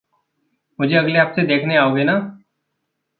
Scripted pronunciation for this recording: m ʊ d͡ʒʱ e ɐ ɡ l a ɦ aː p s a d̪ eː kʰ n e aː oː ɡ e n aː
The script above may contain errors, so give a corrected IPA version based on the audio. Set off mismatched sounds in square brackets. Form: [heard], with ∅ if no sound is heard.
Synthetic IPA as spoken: m ʊ d͡ʒʱ e ɐ ɡ l [e] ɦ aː p s [e] d̪ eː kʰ n e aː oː ɡ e n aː